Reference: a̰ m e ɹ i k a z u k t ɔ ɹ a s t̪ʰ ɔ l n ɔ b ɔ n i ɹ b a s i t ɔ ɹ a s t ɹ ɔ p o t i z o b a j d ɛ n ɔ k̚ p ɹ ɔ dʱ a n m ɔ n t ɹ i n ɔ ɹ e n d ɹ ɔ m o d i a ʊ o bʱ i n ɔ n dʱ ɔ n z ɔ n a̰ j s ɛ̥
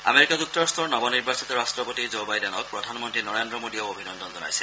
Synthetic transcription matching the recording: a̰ m e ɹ i k a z u k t ɔ ɹ a s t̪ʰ ɔ ɹ n ɔ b ɔ n i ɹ b a s i t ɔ ɹ a s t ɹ ɔ p o t i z o b a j d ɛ n ɔ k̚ p ɹ ɔ dʱ a n m ɔ n t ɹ i n ɔ ɹ e n d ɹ ɔ m o d i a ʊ o bʱ i n ɔ n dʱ ɔ n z ɔ n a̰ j s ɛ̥